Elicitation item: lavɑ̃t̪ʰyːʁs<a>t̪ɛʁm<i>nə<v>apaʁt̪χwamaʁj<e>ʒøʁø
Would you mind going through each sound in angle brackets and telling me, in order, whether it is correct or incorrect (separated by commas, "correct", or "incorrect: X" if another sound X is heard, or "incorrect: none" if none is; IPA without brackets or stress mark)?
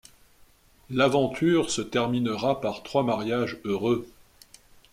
incorrect: ə, correct, incorrect: ʁ, incorrect: a